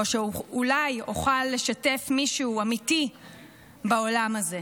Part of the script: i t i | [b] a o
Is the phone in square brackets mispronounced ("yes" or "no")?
no